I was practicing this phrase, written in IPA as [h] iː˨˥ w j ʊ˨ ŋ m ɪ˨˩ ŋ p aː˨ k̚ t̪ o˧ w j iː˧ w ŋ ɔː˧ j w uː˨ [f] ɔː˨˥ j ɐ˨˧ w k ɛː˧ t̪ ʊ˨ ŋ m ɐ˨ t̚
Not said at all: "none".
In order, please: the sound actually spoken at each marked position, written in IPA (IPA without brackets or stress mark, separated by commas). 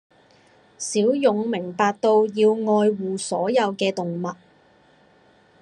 s, s